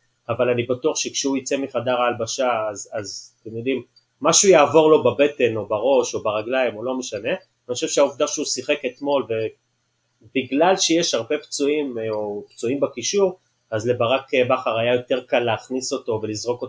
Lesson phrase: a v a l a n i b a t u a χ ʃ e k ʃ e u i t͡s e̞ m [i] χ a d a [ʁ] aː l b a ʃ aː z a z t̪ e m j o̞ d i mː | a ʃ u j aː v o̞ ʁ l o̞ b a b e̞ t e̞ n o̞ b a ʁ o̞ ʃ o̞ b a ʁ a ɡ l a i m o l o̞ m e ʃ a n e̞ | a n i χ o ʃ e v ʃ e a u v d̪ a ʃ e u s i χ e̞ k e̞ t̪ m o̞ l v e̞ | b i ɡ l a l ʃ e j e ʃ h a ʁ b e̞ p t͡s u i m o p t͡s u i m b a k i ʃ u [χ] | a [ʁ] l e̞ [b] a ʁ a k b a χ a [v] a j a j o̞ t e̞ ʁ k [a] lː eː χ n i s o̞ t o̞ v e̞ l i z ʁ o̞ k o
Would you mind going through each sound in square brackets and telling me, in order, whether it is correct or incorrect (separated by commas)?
correct, correct, incorrect, incorrect, correct, incorrect, correct